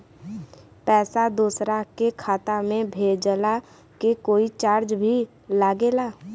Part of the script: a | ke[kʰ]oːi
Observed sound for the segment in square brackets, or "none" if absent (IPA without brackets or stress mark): k